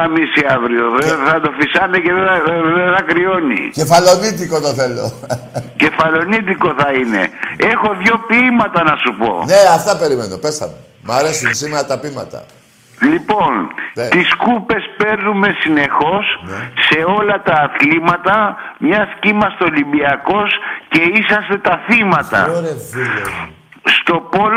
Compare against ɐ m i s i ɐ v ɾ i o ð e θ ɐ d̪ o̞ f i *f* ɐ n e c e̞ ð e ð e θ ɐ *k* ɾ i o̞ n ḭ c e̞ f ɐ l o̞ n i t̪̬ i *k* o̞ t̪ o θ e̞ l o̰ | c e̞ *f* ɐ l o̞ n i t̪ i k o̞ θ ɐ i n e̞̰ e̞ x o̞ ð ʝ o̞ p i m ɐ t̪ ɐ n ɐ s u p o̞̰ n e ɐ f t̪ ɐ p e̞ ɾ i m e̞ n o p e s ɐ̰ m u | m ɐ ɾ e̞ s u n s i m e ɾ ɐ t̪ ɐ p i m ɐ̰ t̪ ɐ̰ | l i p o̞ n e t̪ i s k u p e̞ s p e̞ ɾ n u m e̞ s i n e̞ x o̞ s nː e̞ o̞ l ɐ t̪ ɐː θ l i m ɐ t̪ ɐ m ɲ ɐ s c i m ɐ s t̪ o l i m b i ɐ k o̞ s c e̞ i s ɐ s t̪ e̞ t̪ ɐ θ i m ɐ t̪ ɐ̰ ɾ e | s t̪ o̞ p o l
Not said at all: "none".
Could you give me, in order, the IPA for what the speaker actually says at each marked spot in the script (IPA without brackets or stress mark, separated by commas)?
s, k, k, f